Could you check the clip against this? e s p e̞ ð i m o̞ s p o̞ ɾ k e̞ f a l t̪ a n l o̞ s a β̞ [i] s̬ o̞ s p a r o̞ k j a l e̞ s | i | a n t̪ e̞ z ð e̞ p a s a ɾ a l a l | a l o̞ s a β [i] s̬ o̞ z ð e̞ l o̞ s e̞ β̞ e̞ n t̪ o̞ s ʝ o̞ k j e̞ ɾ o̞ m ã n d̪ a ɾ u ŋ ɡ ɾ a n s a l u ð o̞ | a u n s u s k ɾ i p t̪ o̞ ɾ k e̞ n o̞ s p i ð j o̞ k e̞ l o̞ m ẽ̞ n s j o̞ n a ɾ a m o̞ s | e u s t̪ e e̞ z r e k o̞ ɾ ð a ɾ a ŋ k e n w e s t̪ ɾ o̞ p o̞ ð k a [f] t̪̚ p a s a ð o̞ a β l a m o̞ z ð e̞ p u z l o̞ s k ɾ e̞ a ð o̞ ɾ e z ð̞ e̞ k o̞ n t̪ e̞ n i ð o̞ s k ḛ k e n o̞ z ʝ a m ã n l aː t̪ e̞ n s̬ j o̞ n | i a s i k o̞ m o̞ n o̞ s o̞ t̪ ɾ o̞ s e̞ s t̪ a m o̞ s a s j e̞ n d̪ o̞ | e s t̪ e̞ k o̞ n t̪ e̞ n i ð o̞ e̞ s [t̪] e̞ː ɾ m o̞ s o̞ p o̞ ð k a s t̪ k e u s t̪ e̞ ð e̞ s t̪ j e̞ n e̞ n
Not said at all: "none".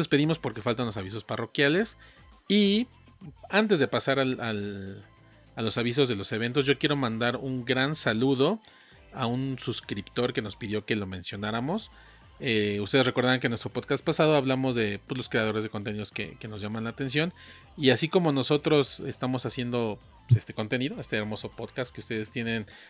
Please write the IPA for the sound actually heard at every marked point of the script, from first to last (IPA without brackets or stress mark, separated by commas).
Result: i, i, s, t̪